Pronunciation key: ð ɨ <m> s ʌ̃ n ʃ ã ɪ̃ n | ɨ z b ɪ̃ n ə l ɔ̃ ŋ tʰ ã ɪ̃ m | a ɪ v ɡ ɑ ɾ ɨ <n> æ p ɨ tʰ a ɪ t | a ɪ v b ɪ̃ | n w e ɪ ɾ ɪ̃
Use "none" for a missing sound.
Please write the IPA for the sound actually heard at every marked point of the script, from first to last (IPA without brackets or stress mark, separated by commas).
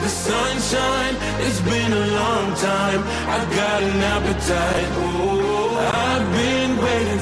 none, n